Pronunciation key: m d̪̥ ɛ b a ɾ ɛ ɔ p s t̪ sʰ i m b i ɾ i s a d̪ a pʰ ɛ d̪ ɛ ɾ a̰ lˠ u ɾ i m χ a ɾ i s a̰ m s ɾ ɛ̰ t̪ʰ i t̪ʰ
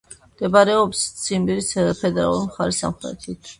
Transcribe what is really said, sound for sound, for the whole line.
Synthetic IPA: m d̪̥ ɛ b a ɾ ɛ ɔ p s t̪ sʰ i m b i ɾ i s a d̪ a pʰ ɛ d̪ ɛ ɾ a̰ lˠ u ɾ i m χ a ɾ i s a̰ m χ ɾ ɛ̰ t̪ʰ i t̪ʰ